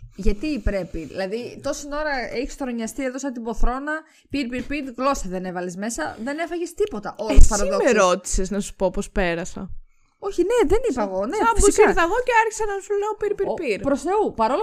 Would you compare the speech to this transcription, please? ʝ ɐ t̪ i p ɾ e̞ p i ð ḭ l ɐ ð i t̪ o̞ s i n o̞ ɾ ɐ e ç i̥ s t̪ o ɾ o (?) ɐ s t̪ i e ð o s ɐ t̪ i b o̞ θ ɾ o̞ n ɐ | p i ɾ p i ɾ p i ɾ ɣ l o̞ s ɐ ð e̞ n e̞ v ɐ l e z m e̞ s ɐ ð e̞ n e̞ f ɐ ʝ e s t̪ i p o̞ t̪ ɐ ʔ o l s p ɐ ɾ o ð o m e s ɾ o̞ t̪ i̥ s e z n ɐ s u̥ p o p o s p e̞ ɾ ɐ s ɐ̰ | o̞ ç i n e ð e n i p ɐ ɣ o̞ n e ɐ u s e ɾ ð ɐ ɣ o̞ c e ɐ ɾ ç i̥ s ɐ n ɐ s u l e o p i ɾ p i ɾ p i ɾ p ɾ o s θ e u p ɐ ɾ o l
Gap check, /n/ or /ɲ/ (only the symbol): ɲ